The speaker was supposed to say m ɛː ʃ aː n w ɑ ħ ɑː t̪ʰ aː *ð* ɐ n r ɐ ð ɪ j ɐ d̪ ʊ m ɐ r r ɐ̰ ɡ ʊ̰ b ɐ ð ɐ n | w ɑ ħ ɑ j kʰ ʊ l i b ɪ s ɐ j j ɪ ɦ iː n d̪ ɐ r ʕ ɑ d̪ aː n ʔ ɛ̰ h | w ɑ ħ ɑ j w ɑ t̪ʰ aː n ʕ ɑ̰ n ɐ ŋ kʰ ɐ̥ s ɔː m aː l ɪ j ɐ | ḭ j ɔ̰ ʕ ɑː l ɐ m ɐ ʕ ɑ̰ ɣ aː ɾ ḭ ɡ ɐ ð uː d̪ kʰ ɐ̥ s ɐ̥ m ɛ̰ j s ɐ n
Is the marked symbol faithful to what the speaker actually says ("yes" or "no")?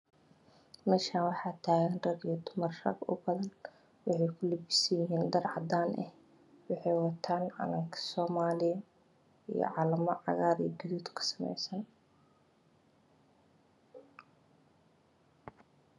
no